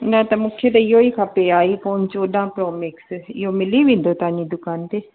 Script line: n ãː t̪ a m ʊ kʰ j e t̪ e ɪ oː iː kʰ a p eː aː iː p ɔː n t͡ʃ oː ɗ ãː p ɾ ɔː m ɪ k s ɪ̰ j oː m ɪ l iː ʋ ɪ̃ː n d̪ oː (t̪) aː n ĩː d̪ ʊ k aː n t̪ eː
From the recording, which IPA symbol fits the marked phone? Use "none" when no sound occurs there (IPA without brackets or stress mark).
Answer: t̪